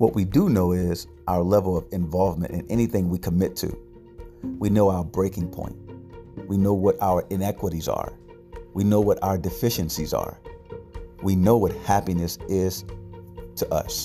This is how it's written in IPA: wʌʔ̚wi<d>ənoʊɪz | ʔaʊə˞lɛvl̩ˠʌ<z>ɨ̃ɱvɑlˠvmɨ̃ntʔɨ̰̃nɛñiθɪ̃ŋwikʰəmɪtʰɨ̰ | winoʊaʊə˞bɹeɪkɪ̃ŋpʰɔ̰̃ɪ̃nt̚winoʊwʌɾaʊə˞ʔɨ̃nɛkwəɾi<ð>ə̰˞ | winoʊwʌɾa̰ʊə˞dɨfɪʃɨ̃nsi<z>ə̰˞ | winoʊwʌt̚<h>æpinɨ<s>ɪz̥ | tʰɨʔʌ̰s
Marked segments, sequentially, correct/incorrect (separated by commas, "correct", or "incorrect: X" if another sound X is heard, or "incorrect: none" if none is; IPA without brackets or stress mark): correct, incorrect: v, incorrect: z, correct, correct, correct